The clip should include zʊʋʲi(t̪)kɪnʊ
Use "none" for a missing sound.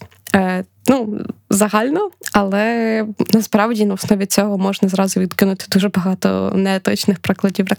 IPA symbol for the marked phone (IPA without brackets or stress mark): d̪